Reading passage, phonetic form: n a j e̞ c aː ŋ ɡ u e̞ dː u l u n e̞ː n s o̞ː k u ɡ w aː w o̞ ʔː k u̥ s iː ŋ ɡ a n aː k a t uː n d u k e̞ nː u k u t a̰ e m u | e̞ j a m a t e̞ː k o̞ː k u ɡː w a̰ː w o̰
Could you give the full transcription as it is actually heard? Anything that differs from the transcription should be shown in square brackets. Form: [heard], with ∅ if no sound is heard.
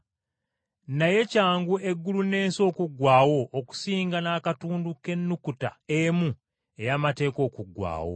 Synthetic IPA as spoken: n a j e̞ c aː ŋ ɡ u e̞ [ɡː] u l u n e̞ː n s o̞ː k u ɡ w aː w o̞ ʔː k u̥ s iː ŋ ɡ a n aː k a t uː n d u k e̞ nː u k u t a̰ e m u | e̞ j a m a t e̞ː k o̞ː k u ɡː w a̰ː w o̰